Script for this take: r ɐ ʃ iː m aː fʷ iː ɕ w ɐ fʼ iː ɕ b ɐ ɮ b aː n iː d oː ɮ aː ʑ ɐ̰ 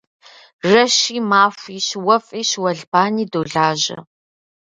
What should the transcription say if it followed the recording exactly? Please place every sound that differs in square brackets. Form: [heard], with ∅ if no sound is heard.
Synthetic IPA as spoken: r ɐ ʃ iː m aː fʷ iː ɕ w ɐ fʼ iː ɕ [w] ɐ ɮ b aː n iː d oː ɮ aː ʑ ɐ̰